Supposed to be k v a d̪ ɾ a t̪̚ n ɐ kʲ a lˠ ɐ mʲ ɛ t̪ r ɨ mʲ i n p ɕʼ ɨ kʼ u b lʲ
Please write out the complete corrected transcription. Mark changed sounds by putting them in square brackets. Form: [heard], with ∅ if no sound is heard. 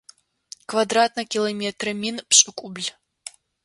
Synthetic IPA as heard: k v a d̪ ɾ a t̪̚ n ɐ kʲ [i] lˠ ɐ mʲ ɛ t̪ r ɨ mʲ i n p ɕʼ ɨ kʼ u b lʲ